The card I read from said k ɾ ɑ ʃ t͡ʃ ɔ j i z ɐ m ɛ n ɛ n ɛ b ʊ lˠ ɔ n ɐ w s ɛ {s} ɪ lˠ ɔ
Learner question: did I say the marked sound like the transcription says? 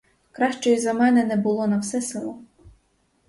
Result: yes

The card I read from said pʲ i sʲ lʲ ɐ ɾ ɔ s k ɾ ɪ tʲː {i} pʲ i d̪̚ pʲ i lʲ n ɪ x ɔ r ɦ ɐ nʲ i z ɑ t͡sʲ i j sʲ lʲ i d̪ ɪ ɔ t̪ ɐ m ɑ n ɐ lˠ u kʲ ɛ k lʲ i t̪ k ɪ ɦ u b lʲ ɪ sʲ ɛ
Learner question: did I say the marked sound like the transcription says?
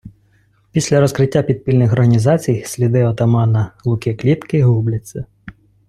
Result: no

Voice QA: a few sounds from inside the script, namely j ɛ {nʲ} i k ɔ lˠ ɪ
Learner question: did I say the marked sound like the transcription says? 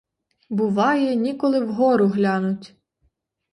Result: yes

